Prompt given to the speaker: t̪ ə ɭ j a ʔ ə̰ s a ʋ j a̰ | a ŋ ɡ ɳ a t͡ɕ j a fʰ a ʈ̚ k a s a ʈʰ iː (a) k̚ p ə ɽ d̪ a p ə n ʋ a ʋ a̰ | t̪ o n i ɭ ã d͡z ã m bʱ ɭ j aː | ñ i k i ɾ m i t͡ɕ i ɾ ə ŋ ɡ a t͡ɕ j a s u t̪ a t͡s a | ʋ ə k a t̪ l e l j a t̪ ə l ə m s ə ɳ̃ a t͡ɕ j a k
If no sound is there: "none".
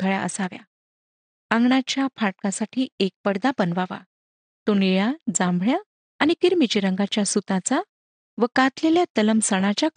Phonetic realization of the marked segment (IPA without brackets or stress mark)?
e